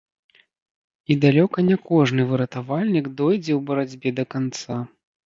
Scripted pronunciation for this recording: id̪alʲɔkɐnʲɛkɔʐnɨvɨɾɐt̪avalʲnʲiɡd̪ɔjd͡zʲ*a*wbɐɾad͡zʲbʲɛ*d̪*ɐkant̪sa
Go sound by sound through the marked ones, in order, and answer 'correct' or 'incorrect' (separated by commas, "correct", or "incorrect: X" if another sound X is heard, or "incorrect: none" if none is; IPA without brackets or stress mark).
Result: incorrect: ɛ, correct